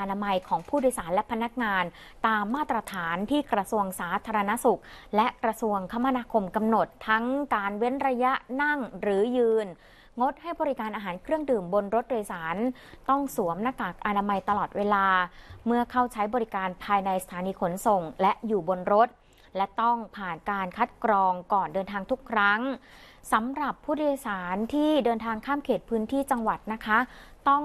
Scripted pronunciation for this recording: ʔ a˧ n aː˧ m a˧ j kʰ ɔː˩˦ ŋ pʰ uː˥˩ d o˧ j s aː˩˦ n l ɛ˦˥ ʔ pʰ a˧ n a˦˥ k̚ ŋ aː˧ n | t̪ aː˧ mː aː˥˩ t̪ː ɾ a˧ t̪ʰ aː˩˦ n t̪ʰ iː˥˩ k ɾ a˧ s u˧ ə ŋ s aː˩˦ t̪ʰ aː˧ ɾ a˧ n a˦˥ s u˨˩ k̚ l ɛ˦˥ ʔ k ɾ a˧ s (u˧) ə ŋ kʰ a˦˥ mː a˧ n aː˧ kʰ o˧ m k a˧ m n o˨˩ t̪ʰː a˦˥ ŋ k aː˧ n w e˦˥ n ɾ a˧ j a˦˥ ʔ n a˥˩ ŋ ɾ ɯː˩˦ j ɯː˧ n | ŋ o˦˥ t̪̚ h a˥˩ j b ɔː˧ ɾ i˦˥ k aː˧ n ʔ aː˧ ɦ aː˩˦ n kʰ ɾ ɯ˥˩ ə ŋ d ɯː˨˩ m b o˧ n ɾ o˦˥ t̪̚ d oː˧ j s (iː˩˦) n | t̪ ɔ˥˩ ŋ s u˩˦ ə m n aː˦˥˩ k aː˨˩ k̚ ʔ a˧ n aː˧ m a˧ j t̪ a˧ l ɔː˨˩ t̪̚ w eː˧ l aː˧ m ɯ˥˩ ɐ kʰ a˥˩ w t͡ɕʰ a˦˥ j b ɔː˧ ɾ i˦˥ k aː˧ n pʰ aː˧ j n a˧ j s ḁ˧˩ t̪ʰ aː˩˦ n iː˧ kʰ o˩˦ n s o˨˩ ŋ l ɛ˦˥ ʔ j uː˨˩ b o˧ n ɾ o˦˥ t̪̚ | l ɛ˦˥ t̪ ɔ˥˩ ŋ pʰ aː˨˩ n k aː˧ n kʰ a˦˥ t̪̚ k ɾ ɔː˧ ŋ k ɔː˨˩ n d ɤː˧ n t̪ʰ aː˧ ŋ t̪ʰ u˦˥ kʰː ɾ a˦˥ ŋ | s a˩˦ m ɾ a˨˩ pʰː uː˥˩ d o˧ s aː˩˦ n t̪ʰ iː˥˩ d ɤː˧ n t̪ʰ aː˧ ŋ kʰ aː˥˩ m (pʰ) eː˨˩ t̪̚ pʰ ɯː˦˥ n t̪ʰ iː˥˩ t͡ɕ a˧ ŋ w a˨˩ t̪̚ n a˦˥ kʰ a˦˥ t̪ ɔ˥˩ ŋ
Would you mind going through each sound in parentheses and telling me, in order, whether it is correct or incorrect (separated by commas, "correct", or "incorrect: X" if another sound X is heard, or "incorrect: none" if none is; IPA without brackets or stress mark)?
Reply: correct, incorrect: aː˩˦, incorrect: kʰ